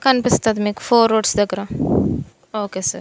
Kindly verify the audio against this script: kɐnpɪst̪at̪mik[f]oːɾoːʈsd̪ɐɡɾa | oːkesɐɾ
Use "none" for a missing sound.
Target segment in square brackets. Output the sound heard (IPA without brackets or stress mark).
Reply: f